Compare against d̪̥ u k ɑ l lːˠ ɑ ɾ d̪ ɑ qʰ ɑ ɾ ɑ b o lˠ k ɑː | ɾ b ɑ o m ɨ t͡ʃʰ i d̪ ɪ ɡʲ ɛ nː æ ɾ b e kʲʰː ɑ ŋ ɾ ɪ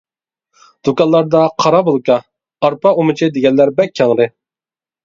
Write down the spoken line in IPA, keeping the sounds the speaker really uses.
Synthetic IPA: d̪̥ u k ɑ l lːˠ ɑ ɾ d̪ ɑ qʰ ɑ ɾ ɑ b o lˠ k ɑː | ɾ p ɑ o m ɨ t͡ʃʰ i d̪ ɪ ɡʲ ɛ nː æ ɾ b ɛ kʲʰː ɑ ŋ ɾ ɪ